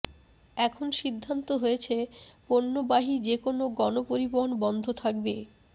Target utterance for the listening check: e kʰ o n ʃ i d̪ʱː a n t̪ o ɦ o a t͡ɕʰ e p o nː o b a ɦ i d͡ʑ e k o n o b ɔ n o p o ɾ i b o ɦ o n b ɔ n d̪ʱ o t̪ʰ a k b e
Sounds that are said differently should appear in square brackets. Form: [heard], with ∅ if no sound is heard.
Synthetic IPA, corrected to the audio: [ɛ] kʰ o n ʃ i d̪ʱː a n t̪ o ɦ o [e] t͡ɕʰ e p o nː o b a ɦ i d͡ʑ e k o n o [ɡ] ɔ n o p o ɾ i b o ɦ o n b ɔ n d̪ʱ o t̪ʰ a k b e